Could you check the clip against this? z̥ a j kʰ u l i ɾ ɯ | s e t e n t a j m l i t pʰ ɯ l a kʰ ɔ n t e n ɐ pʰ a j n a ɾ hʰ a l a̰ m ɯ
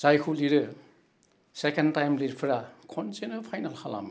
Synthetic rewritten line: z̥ a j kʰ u l i ɾ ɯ | s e k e n t a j m l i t pʰ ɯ ɾ a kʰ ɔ n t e n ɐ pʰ a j n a l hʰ a l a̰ m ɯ